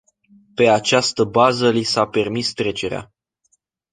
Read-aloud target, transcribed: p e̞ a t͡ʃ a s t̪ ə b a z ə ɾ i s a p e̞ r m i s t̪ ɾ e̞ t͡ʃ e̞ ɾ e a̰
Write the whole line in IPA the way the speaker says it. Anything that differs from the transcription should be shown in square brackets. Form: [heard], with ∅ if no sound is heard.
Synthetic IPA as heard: p e̞ a t͡ʃ a s t̪ ə b a z ə [l] i s a p e̞ r m i s t̪ ɾ e̞ t͡ʃ e̞ ɾ e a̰